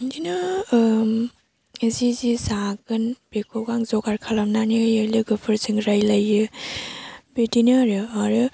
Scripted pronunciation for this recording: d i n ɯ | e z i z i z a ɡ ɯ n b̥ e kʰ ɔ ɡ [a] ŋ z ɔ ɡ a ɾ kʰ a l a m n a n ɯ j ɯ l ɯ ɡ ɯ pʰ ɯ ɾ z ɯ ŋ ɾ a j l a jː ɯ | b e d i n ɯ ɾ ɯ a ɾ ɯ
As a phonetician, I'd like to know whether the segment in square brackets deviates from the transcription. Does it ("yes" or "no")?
no